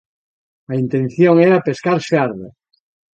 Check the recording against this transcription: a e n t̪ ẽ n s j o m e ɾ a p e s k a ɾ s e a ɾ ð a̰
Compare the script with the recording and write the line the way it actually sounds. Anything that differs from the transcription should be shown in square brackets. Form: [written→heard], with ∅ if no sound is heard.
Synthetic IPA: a [e→i] n t̪ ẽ n [s→θ] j o [m→ŋ] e ɾ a p e s k a ɾ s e a ɾ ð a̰